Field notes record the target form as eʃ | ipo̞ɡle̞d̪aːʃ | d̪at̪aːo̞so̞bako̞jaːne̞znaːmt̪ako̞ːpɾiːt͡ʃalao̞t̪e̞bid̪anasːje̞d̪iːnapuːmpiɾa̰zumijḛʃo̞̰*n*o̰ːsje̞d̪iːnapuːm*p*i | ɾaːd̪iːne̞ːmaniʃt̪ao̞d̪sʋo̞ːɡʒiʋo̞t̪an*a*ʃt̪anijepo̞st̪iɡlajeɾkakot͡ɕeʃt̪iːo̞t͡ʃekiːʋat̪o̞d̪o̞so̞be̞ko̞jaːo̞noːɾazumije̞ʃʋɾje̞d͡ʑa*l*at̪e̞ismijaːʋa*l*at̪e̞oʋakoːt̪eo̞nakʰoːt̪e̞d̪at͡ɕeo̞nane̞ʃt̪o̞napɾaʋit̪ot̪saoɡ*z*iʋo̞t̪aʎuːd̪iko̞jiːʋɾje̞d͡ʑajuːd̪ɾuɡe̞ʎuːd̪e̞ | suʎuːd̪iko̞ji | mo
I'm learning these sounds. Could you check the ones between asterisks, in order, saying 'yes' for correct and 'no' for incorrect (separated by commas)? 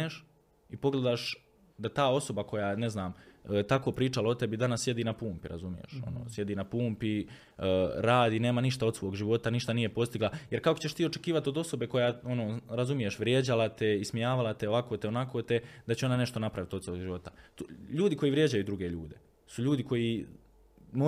yes, yes, no, yes, yes, no